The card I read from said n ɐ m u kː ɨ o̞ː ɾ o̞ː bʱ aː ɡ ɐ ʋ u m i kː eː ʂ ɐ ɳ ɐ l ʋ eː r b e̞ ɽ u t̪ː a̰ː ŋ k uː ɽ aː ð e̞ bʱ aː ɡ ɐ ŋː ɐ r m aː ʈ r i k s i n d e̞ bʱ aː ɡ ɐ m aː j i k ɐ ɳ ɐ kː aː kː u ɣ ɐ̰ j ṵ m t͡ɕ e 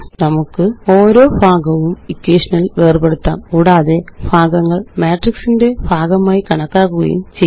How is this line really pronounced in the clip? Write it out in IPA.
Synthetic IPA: n ɐ m u kː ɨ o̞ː ɾ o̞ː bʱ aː ɡ ɐ ʋ u m i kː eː ʂ ɐ n ɐ l ʋ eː r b e̞ ɽ u t̪ː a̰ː m k uː ɽ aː ð e̞ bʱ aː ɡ ɐ ŋː ɐ ɭ m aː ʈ r i k s i n d e̞ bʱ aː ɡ ɐ m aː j i k ɐ ɳ ɐ kː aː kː u ɣ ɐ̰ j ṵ m t͡ɕ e